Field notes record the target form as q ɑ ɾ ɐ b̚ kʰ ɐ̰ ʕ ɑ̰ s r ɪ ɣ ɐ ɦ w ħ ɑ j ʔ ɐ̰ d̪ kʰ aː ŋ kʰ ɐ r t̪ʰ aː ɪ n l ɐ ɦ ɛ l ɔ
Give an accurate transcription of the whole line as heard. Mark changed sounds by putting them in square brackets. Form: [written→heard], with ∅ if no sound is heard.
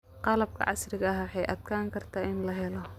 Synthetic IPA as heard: q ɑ [ɾ→l] ɐ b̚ kʰ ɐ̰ ʕ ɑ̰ s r ɪ ɣ ɐ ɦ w ħ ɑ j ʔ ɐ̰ d̪ kʰ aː ŋ kʰ ɐ r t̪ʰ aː ɪ n l ɐ ɦ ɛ l ɔ